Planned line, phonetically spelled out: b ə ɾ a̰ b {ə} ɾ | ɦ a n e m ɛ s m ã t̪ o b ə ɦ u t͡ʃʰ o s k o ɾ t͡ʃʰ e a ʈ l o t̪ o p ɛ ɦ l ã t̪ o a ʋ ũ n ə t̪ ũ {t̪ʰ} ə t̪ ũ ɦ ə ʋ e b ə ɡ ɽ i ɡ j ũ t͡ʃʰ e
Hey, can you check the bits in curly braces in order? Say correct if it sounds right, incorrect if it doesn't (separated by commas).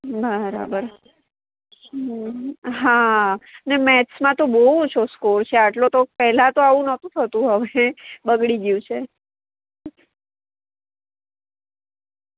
correct, correct